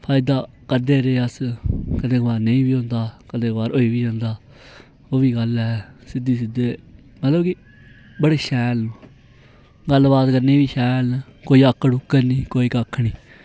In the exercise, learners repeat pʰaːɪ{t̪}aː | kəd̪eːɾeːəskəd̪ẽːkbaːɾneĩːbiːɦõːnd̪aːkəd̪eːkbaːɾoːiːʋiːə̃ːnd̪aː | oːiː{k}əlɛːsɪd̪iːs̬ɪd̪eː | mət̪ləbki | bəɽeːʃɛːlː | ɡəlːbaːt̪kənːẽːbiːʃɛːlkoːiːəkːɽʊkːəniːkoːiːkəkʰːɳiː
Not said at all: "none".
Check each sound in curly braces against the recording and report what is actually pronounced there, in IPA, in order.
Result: d̪, ɡ

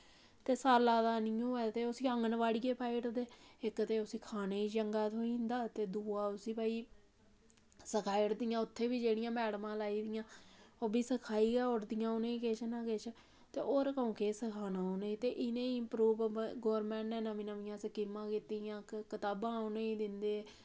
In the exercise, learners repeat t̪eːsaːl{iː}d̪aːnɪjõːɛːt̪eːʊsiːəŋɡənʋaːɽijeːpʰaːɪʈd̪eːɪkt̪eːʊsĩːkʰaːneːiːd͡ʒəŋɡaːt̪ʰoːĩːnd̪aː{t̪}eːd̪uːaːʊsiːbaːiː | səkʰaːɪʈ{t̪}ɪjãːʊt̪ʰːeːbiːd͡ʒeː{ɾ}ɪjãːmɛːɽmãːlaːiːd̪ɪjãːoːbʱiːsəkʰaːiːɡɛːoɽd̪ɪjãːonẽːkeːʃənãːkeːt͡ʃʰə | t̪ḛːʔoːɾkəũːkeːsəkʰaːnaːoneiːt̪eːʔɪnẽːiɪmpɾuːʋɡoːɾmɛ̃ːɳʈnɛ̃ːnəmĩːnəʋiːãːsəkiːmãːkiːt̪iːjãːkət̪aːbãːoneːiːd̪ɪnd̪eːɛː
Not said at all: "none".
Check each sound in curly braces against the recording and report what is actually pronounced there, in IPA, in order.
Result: aː, t̪, d̪, ɽ

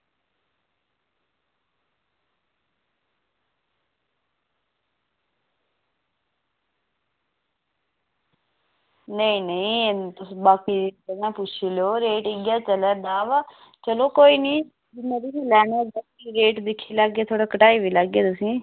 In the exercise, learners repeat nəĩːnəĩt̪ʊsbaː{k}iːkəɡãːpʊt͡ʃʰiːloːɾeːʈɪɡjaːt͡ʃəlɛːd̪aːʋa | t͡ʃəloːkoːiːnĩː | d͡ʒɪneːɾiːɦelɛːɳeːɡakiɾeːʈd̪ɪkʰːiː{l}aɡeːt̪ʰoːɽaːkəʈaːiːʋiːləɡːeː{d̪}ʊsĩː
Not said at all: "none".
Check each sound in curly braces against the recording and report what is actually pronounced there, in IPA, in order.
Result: k, l, t̪

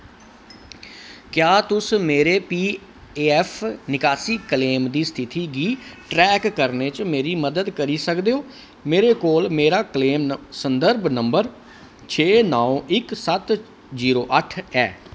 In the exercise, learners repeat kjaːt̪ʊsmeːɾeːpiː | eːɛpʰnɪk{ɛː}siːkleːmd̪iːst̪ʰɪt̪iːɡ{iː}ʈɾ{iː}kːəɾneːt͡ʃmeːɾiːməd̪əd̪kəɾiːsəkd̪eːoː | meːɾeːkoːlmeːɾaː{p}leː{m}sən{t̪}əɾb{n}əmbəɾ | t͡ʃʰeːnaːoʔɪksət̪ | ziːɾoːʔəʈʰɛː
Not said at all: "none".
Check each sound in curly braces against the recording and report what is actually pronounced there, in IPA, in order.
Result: aː, iː, ɛː, k, m, d̪, n

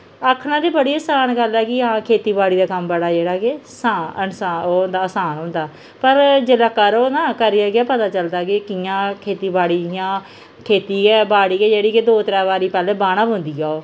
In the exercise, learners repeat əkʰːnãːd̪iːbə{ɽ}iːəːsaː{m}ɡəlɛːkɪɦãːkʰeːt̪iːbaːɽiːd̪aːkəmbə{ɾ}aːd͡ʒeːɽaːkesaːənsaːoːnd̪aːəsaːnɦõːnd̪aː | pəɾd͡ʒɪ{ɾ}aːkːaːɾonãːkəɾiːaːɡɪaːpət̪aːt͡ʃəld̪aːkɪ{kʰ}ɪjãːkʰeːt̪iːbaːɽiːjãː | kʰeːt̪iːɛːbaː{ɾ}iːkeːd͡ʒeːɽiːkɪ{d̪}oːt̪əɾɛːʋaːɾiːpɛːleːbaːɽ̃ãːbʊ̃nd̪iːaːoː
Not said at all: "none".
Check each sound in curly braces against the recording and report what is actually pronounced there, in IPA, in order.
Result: ɽ, n, ɽ, l, k, ɽ, d̪

